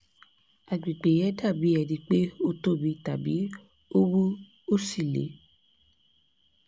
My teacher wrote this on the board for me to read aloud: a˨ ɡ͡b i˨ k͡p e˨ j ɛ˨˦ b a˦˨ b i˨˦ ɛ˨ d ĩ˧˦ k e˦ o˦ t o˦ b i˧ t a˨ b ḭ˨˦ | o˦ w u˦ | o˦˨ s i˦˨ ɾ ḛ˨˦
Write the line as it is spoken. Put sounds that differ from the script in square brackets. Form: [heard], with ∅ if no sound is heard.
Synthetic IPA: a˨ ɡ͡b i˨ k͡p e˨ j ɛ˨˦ [d] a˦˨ b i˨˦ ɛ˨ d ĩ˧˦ [k͡p] e˦ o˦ t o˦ b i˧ t a˨ b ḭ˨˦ | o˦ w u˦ | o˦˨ s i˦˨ [l] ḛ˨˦